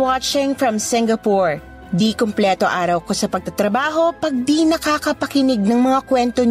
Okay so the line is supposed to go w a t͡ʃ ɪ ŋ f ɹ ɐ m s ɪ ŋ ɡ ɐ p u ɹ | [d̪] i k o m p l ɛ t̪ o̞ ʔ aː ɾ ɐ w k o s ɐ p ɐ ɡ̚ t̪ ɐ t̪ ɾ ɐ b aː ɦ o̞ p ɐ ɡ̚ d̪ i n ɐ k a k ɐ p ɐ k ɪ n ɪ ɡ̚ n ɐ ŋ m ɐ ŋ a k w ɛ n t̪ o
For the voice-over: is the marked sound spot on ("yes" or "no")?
yes